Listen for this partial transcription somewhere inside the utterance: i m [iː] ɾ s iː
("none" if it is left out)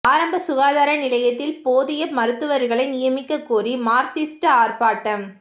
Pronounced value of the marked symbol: aː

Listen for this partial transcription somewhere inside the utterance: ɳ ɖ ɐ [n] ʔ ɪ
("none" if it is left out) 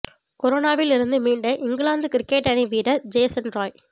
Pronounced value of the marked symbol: none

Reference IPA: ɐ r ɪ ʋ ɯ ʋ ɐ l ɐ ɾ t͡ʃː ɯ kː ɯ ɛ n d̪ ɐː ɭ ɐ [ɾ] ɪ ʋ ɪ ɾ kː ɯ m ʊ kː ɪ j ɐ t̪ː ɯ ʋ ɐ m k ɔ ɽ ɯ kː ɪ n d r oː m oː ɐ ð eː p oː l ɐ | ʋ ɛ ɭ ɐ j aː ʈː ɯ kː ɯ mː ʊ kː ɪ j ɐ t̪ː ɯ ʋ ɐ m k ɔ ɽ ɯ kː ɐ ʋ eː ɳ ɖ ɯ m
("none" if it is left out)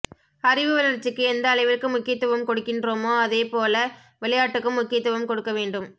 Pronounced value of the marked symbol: none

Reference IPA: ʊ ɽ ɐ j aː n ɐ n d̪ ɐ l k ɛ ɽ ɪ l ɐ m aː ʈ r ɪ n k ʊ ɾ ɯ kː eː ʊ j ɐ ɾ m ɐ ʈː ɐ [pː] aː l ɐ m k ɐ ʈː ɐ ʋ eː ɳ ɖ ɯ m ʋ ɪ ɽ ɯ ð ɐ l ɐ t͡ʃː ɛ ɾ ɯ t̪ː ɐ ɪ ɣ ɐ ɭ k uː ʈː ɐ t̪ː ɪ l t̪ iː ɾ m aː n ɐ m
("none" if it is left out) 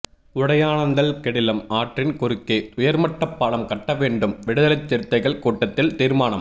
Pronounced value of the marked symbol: pː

